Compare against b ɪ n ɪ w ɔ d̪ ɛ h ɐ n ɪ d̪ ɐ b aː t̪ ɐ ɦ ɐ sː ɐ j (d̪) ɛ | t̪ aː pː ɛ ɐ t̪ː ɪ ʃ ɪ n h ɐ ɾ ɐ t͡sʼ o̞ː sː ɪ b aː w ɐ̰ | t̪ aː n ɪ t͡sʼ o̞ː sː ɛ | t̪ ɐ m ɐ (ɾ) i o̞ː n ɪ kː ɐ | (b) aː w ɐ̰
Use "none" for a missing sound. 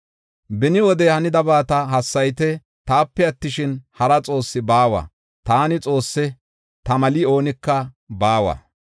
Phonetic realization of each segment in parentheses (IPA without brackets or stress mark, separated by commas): t̪, l, b